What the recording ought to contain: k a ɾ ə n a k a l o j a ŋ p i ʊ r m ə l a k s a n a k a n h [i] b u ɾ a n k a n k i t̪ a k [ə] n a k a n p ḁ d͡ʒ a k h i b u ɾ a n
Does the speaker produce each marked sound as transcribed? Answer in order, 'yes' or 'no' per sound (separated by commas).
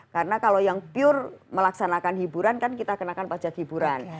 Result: yes, yes